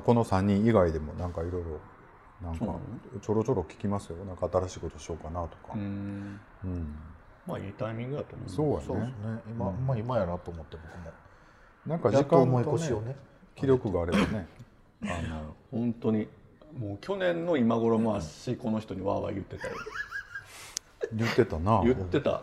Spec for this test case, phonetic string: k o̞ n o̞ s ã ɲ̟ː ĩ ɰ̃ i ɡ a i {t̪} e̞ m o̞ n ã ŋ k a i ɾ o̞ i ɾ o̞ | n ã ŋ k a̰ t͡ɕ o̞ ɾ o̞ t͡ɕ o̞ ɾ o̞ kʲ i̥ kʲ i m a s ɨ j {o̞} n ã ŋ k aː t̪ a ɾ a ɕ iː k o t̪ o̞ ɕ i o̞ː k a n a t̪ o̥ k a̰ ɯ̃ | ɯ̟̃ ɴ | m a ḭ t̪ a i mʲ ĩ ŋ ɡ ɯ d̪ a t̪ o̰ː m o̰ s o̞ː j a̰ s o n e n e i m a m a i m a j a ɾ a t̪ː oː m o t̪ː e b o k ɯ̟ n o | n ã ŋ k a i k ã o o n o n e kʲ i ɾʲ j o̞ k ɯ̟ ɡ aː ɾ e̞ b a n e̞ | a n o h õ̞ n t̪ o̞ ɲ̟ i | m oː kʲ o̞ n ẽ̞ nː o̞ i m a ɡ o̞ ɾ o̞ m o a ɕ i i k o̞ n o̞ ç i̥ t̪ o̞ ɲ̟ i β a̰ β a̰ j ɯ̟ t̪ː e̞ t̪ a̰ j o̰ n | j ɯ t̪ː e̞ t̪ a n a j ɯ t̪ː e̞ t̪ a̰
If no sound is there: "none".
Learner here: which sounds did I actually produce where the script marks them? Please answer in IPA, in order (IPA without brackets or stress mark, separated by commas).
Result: d̪, o̞